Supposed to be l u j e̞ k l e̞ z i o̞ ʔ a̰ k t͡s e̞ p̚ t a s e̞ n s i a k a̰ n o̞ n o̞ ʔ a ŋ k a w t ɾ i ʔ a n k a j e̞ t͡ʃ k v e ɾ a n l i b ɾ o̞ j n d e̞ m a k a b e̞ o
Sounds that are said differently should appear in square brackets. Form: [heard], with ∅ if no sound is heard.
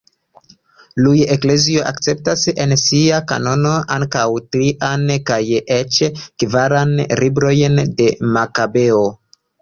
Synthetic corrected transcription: l u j e̞ k l e̞ z i o̞ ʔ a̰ k t͡s e̞ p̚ t a s e̞ n s i a k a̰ n o̞ n o̞ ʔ a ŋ k a w t ɾ i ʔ a n k a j e̞ t͡ʃ k v [a] ɾ a n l i b ɾ o̞ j n d e̞ m a k a b e̞ o